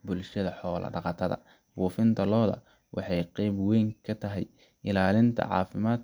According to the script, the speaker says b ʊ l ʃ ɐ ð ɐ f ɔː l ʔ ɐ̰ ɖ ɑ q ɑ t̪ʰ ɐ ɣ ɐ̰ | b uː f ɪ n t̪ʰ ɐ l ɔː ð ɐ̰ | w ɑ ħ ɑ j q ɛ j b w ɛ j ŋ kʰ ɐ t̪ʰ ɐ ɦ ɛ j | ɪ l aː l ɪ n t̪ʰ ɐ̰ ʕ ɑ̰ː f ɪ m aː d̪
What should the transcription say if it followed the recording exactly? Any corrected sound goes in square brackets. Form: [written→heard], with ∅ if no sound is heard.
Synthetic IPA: b ʊ l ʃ ɐ ð ɐ [f→ħ] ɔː l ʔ ɐ̰ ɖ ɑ q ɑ t̪ʰ ɐ [ɣ→ð] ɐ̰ | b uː f ɪ n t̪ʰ ɐ l ɔː ð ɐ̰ | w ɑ ħ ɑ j q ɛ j b w ɛ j ŋ kʰ ɐ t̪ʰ ɐ ɦ ɛ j | ɪ l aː l ɪ n t̪ʰ ɐ̰ ʕ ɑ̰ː f ɪ m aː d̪